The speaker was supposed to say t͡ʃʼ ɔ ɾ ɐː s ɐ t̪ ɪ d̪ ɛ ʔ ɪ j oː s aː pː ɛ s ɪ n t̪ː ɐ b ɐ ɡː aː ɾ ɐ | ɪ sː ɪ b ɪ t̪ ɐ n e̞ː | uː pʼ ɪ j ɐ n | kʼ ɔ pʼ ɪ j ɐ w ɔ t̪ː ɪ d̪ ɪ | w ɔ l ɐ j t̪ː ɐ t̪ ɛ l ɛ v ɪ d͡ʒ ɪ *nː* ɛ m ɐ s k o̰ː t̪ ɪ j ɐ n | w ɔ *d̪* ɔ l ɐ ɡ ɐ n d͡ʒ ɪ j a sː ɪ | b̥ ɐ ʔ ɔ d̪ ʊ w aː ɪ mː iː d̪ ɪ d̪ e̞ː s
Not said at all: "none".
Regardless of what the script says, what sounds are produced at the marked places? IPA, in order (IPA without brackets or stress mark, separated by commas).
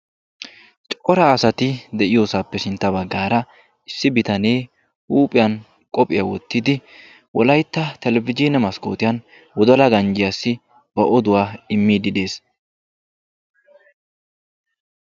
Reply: n, d̪